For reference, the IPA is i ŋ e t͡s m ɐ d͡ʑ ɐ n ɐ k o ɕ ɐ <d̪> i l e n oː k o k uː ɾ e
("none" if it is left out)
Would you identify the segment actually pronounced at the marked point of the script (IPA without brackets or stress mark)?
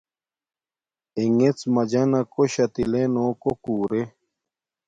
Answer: t̪